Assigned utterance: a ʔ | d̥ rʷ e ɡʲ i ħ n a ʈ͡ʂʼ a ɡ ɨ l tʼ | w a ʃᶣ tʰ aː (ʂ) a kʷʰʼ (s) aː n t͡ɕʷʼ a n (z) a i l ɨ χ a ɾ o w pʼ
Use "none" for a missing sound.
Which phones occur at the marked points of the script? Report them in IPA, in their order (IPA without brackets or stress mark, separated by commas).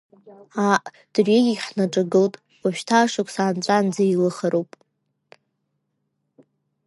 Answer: ʂ, s, d͡z